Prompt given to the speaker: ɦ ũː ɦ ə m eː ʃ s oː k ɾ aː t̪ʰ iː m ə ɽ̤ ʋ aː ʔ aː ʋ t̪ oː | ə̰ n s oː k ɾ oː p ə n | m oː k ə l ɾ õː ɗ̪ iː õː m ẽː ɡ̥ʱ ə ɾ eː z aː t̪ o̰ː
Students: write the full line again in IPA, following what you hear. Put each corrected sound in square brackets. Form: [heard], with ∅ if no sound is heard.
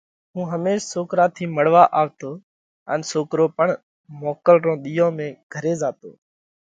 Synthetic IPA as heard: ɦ ũː ɦ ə m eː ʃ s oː k ɾ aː t̪ʰ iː m ə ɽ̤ ʋ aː ʔ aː ʋ t̪ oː | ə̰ n s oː k ɾ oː p ə [ɳ] | m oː k ə l ɾ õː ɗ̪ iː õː m ẽː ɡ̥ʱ ə ɾ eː z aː t̪ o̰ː

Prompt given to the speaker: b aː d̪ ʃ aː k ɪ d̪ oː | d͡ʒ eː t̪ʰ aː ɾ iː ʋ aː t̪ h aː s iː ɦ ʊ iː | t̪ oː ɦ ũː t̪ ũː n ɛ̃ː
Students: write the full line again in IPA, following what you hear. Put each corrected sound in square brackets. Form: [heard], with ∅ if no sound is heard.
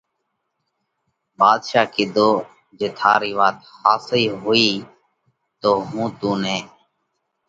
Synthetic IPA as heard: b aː d̪ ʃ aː k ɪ d̪ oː | d͡ʒ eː t̪ʰ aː ɾ iː ʋ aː t̪ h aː s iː ɦ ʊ iː | t̪ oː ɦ ũː t̪ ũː n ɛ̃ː

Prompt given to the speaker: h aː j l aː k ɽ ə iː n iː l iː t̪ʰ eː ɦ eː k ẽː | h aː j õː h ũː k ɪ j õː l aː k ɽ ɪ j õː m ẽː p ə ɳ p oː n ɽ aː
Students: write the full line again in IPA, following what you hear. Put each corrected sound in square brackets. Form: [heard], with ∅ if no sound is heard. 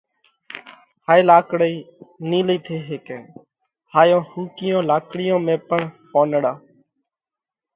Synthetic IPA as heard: h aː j l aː k ɽ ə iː n iː l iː t̪ʰ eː ɦ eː k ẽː | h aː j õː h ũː k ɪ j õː l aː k ɽ ɪ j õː m ẽː p ə ɳ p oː n ɽ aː

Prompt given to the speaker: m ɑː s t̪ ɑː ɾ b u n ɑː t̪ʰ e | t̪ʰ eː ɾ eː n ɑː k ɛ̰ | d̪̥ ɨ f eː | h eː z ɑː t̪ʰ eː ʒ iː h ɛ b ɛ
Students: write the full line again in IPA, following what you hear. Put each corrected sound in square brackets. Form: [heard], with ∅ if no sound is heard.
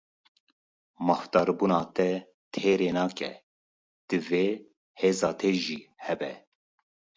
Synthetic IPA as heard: m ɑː [f] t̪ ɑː ɾ b u n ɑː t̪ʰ [ɛ] | t̪ʰ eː ɾ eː n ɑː k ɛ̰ | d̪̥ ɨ [v] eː | h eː z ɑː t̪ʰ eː ʒ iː h ɛ b ɛ

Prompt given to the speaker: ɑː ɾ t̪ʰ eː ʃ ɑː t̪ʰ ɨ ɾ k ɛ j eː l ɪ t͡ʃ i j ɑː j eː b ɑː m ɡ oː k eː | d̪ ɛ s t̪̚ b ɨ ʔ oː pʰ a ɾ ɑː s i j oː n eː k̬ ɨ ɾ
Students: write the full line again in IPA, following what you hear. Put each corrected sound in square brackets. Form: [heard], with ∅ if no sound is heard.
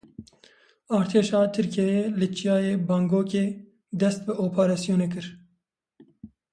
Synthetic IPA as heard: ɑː ɾ t̪ʰ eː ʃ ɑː t̪ʰ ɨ ɾ k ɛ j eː l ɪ t͡ʃ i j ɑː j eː b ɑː [ŋ] ɡ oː k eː | d̪ ɛ s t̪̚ b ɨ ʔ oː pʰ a ɾ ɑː s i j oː n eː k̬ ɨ ɾ

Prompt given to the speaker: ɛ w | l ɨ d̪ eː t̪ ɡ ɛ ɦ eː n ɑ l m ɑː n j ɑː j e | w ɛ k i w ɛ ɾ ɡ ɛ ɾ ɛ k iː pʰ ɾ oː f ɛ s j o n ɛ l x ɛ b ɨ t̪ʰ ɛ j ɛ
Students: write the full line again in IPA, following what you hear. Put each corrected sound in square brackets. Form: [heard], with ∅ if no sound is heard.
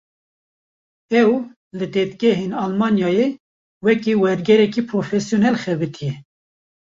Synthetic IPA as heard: ɛ w | l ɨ d̪ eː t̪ ɡ ɛ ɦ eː n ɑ l m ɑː n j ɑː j e | w ɛ k i w ɛ ɾ ɡ ɛ ɾ ɛ k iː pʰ ɾ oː f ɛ s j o n ɛ l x ɛ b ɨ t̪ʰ [i] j ɛ

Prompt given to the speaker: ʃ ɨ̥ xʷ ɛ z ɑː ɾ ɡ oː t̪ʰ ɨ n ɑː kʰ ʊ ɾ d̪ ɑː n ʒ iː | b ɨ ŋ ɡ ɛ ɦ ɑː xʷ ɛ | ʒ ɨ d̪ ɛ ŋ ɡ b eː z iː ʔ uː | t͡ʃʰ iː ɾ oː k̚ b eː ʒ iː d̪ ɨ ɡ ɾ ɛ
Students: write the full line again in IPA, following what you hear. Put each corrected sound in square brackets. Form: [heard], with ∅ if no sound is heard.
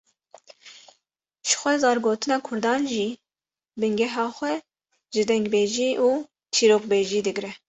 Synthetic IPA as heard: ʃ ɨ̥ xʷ ɛ z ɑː ɾ ɡ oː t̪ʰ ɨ n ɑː kʰ ʊ ɾ d̪ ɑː n ʒ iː | b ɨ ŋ ɡ ɛ ɦ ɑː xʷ ɛ | ʒ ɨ d̪ ɛ ŋ ɡ b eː [ʒ] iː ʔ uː | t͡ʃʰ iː ɾ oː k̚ b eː ʒ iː d̪ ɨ ɡ ɾ ɛ

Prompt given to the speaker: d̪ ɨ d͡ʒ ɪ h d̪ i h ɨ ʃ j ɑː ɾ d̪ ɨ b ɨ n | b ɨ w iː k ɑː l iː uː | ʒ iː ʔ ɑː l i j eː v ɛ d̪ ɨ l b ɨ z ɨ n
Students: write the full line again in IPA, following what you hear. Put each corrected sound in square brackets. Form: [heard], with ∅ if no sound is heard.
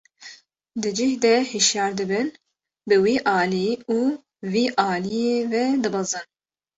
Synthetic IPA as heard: d̪ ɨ d͡ʒ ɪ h d̪ [ɛ] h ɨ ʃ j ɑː ɾ d̪ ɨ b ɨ n | b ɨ w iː [ʔ] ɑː l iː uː | [v] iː ʔ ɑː l i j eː v ɛ d̪ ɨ [∅] b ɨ z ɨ n

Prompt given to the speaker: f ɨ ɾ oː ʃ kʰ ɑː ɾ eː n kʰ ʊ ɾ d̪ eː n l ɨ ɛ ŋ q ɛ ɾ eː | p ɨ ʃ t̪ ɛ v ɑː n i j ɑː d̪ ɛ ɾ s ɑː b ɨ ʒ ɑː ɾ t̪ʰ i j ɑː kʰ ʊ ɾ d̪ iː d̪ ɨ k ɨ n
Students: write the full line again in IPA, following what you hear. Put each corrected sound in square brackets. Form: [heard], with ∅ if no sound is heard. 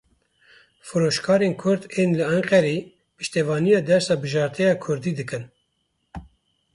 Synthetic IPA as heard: f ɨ ɾ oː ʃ kʰ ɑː ɾ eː n kʰ ʊ ɾ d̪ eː n l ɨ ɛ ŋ q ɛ ɾ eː | p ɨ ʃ t̪ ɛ v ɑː n i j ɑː d̪ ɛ ɾ s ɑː b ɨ ʒ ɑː ɾ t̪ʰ [ɛ] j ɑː kʰ ʊ ɾ d̪ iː d̪ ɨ k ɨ n

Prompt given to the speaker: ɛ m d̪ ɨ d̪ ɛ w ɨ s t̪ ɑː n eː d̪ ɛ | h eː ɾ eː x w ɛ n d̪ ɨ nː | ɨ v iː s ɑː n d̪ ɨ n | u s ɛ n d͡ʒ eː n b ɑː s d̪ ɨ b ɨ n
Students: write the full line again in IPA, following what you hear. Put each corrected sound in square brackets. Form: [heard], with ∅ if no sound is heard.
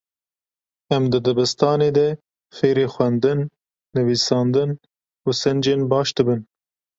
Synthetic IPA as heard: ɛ m d̪ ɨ d̪ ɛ [b] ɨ s t̪ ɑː n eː d̪ ɛ | [f] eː ɾ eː x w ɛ n d̪ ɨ nː | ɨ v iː s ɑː n d̪ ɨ n | u s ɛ n d͡ʒ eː n b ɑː [ʃ] d̪ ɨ b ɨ n

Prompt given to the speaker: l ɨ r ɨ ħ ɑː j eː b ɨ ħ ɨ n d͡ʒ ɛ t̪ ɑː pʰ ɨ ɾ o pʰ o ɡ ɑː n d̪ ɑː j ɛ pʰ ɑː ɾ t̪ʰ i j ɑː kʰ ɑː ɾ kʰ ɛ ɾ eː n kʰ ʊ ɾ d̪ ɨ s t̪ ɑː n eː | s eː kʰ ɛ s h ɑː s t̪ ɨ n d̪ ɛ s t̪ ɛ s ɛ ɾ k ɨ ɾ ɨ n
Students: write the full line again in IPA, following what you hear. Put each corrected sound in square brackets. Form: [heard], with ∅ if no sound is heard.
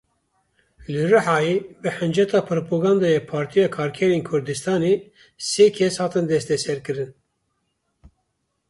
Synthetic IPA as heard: l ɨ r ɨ ħ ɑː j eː b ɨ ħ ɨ n d͡ʒ ɛ t̪ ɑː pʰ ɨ ɾ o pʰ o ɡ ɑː n d̪ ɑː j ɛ pʰ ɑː ɾ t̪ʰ i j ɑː kʰ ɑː ɾ kʰ ɛ ɾ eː n kʰ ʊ ɾ d̪ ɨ s t̪ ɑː n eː | s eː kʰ ɛ s h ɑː [∅] t̪ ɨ n d̪ ɛ s t̪ ɛ s ɛ ɾ k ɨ ɾ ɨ n

